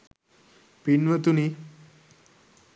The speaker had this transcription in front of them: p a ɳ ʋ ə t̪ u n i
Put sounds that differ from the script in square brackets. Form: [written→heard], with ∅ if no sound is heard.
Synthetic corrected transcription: p [a→i] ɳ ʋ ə t̪ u n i